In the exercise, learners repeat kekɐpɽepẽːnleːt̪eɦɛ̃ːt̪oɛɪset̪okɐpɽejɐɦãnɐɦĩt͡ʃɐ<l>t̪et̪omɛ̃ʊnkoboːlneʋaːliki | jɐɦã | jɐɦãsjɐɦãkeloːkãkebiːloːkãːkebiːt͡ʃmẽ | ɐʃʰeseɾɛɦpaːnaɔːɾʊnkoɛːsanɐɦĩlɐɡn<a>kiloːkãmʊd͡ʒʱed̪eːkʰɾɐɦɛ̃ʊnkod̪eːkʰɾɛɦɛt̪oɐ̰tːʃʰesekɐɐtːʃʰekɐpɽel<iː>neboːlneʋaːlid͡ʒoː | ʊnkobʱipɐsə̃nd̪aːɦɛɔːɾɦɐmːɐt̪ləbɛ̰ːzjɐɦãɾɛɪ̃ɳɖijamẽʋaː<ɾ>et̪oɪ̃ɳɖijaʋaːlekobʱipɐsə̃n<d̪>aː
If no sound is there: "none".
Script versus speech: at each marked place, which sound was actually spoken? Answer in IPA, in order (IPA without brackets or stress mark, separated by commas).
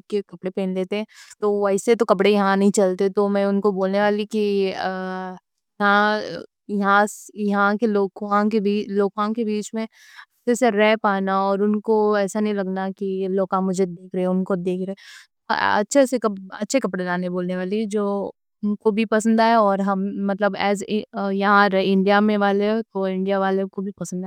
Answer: l, a, aː, l, d̪